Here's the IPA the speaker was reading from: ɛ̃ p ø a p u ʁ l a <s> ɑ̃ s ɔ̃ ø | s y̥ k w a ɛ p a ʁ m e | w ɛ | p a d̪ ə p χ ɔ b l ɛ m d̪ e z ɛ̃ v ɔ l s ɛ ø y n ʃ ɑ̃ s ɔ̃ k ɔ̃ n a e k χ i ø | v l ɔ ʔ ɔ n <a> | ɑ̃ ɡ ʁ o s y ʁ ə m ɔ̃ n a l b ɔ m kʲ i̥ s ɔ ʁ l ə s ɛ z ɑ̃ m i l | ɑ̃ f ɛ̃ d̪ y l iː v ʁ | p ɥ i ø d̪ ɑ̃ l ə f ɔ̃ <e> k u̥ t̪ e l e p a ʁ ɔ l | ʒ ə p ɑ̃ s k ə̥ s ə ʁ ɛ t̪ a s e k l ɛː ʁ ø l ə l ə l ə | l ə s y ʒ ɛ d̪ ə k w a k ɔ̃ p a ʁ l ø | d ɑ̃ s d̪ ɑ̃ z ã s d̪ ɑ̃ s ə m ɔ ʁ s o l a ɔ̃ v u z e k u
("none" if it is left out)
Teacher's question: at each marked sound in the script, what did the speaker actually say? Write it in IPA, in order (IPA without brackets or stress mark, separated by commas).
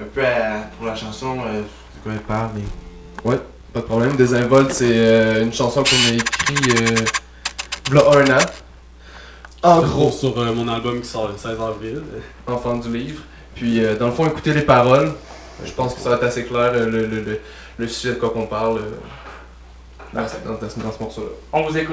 ʃ, a, e